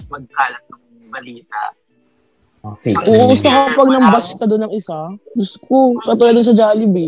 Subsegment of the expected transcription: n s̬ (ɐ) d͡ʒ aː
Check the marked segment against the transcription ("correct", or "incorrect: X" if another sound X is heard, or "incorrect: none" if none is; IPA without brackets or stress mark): correct